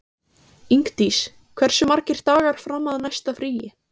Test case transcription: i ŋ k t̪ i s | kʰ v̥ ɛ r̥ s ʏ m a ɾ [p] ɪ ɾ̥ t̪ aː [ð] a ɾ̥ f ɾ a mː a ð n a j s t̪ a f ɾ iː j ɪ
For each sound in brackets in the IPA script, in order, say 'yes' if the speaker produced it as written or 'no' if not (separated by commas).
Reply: no, no